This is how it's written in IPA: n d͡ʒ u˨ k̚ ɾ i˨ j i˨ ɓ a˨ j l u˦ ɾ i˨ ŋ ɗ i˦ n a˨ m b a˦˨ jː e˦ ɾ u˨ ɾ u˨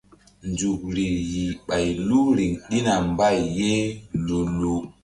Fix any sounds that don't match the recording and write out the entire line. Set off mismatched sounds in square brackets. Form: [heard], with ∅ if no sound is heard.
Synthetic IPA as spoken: n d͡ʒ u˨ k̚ ɾ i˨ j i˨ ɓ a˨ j l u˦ ɾ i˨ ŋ ɗ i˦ n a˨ m b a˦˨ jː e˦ [l] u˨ [l] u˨

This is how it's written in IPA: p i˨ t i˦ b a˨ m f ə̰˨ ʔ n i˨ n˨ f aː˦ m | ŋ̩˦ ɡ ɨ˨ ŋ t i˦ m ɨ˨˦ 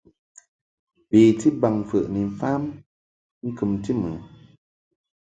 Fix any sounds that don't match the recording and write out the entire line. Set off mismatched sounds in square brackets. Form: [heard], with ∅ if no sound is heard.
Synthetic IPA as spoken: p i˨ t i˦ b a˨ [ŋ] f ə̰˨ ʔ n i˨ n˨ f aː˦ m | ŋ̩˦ [k] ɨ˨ [m] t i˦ m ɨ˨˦

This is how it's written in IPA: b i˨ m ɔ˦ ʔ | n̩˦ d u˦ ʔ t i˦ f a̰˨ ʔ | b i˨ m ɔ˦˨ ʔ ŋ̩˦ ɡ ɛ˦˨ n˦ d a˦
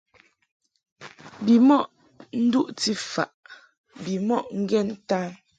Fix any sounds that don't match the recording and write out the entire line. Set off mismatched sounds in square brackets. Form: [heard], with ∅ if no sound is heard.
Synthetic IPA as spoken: b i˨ m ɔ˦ ʔ | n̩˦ d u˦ ʔ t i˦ f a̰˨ ʔ | b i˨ m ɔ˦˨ ʔ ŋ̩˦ ɡ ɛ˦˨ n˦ [t] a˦

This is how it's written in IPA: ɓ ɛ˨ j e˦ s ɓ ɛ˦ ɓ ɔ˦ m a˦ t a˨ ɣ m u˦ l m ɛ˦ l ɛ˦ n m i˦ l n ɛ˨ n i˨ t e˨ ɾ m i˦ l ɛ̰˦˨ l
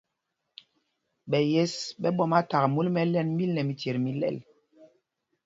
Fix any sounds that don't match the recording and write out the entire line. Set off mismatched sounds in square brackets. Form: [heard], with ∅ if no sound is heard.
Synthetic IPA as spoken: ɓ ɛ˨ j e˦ s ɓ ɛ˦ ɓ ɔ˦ m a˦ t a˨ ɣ m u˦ l m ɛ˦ l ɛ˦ n m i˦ l n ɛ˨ [m] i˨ t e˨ ɾ m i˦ l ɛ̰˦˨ l

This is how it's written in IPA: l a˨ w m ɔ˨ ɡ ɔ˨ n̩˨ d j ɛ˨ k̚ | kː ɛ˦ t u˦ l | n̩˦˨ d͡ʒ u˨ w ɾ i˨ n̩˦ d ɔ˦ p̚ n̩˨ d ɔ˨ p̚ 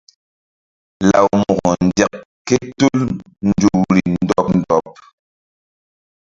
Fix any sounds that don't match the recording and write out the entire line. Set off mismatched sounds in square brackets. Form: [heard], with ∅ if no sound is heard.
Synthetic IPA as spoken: l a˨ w m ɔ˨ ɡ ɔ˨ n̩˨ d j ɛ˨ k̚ | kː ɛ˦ t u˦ l | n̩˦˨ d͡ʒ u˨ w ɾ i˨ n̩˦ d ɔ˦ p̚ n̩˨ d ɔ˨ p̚

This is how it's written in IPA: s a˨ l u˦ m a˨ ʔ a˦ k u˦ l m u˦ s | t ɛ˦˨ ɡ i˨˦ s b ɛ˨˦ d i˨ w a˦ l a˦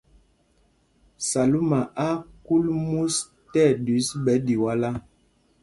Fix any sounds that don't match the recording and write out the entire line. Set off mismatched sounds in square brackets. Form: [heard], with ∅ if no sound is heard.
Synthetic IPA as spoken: s a˨ l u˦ m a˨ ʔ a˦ k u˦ l m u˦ s | t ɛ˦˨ [d] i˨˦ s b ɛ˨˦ d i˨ w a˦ l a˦

